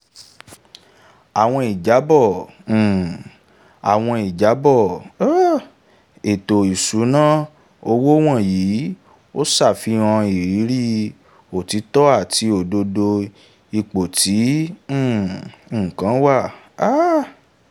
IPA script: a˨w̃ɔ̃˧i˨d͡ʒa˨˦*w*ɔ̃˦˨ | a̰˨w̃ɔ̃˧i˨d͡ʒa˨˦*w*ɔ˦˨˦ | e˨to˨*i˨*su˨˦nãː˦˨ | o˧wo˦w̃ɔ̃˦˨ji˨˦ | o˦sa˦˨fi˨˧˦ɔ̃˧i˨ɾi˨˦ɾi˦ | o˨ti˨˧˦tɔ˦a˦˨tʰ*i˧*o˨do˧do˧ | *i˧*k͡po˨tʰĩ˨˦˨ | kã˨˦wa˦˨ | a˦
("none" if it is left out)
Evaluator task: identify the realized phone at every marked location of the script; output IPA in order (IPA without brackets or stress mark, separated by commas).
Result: b, b, i˨, i˧, i˧